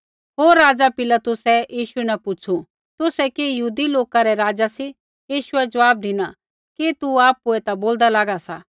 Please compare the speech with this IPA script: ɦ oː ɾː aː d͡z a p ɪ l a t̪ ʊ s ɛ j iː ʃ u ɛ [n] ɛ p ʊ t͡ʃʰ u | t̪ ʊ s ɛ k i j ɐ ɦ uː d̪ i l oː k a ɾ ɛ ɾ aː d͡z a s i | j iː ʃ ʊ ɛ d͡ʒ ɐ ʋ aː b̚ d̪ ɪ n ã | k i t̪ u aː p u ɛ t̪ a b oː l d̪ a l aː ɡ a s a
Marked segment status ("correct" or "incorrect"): correct